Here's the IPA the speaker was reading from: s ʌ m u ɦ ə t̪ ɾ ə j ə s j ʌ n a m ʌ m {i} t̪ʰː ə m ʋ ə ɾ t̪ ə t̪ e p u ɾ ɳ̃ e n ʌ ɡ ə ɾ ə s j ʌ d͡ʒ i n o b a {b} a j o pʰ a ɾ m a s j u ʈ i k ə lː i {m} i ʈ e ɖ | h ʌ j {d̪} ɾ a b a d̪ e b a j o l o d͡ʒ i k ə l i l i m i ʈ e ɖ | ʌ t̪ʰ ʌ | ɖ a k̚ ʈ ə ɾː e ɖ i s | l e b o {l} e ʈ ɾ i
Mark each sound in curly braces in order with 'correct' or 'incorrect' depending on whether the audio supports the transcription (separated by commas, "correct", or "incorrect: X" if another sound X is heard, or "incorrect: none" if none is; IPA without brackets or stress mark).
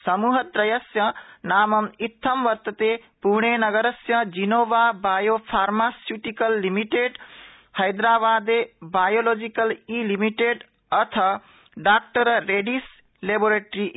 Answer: correct, correct, correct, correct, incorrect: ɾ